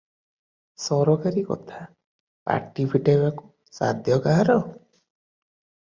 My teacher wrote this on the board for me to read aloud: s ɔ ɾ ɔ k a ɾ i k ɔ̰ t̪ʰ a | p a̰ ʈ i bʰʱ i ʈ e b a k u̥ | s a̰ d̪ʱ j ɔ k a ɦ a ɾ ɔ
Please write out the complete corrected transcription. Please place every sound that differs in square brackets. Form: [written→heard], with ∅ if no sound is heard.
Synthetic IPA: s ɔ ɾ ɔ k a ɾ i k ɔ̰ t̪ʰ a | p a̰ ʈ i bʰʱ i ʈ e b a k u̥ | s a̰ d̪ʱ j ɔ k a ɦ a ɾ ɔ